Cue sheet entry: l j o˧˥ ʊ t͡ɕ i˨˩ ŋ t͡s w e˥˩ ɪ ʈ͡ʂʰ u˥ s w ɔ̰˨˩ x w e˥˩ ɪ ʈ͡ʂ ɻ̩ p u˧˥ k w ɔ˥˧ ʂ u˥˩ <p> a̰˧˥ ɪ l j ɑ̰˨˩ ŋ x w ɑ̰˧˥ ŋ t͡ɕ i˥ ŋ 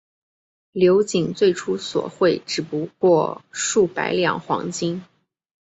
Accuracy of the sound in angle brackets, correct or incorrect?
correct